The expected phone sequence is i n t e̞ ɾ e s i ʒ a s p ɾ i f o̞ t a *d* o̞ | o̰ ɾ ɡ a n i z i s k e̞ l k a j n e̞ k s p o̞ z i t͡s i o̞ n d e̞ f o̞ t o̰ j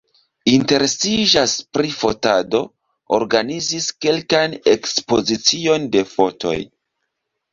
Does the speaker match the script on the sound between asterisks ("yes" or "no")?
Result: yes